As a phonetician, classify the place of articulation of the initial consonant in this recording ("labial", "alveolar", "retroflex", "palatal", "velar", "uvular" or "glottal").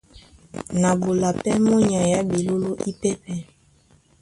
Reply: alveolar